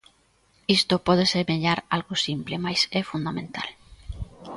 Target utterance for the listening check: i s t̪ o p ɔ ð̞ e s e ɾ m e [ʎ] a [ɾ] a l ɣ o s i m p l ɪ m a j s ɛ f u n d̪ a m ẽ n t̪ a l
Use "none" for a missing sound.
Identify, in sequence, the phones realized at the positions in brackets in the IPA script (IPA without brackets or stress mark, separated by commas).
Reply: ʎ, ɾ